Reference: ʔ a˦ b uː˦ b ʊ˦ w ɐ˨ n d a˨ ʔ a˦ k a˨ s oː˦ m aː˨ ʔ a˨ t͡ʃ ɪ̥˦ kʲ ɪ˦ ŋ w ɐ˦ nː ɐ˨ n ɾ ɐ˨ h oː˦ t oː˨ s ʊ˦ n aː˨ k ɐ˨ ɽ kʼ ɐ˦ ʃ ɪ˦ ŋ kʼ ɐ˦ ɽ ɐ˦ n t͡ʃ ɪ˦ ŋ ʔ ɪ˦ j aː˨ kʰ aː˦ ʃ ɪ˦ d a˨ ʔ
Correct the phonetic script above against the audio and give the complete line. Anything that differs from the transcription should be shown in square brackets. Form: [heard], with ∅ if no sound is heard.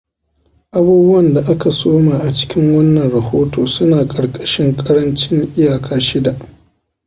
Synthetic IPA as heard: ʔ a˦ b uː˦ b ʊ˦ w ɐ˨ n d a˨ ʔ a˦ k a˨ s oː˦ m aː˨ ʔ a˨ t͡ʃ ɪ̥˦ kʲ ɪ˦ ŋ w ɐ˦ nː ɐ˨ n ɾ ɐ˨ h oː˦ t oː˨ s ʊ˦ n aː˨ [kʼ] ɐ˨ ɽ kʼ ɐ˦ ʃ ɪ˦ ŋ kʼ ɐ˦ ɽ ɐ˦ n t͡ʃ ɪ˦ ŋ ʔ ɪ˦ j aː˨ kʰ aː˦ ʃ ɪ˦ d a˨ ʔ